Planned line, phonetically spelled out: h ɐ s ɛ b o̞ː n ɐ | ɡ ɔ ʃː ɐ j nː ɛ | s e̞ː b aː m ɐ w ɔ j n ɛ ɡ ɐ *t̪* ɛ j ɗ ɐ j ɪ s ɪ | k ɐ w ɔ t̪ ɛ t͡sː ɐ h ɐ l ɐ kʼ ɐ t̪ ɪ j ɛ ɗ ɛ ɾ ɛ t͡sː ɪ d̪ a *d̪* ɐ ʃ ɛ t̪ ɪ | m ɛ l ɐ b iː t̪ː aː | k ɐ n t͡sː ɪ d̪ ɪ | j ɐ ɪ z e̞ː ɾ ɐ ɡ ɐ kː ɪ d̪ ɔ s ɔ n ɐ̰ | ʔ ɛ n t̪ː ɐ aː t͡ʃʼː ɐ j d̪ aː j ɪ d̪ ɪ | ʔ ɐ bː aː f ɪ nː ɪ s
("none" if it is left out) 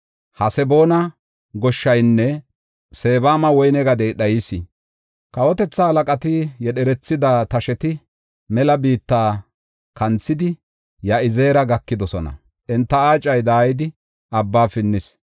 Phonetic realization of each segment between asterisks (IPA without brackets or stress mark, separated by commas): d̪, t̪